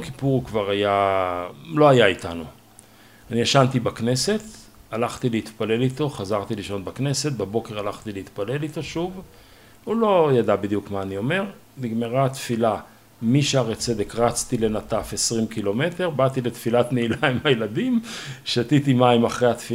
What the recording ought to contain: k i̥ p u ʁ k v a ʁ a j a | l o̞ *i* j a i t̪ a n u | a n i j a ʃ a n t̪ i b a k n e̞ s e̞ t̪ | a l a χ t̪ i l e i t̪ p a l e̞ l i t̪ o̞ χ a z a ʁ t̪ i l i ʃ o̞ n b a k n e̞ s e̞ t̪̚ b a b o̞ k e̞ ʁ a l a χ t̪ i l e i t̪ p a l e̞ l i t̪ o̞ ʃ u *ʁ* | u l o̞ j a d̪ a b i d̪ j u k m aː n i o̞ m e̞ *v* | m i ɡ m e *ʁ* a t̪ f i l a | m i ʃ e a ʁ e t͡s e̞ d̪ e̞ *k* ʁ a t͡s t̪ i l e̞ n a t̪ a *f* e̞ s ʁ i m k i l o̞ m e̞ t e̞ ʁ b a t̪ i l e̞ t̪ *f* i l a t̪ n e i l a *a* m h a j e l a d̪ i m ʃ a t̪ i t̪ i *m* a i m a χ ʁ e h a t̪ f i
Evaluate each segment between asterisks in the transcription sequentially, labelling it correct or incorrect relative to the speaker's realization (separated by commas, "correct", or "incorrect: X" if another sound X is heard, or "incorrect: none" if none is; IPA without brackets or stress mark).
incorrect: a, incorrect: v, incorrect: ʁ, correct, correct, correct, correct, incorrect: i, correct